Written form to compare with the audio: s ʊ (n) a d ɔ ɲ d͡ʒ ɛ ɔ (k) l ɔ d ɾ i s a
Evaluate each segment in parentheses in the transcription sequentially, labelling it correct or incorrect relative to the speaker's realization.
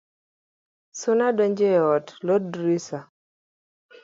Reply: correct, incorrect

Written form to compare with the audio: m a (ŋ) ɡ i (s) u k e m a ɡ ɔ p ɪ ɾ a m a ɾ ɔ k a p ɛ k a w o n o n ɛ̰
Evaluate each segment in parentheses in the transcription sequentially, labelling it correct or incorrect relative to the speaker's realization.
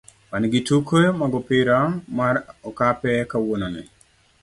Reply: incorrect, incorrect

